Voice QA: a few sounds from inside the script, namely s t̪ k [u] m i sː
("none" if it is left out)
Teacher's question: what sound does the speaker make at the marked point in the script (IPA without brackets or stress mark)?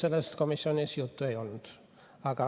o